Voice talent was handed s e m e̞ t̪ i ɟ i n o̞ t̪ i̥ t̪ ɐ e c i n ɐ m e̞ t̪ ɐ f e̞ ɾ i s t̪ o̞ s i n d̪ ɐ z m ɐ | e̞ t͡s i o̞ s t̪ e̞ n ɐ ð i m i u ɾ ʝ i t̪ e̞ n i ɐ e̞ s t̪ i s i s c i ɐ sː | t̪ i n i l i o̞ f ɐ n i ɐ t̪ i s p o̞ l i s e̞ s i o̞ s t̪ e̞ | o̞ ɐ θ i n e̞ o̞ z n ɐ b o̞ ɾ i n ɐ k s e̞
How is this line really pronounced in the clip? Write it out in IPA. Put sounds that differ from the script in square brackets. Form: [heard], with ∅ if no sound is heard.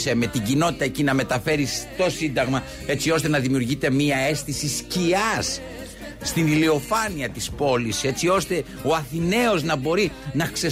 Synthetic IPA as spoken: s e m e̞ t̪ i ɟ i n o̞ t̪ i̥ t̪ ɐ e c i n ɐ m e̞ t̪ ɐ f e̞ ɾ i s t̪ o̞ s i n d̪ ɐ [ɣ] m ɐ | e̞ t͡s i o̞ s t̪ e̞ n ɐ ð i m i u ɾ ʝ i t̪ e̞ [m] i ɐ e̞ s t̪ i s i s c i ɐ sː | t̪ i n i l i o̞ f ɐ n i ɐ t̪ i s p o̞ l i s e̞ [t͡s] i o̞ s t̪ e̞ | o̞ ɐ θ i n e̞ o̞ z n ɐ b o̞ ɾ i n ɐ k s e̞